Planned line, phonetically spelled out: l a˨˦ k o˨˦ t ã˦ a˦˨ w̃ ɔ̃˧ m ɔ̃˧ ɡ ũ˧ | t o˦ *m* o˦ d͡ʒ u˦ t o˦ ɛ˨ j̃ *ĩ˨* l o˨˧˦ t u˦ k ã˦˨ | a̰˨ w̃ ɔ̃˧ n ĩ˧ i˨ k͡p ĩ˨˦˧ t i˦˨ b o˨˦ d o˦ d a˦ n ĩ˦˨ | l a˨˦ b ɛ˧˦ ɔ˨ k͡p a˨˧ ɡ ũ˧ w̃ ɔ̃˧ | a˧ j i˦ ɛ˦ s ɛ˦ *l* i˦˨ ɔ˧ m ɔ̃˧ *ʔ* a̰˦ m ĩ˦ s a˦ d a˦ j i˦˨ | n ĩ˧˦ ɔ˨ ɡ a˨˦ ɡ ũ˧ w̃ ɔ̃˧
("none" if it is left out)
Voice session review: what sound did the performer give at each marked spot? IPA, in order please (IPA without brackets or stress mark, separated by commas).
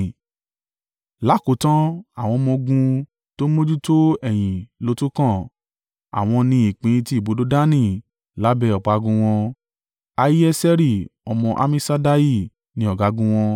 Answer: m, ĩ˨, ɾ, ʔ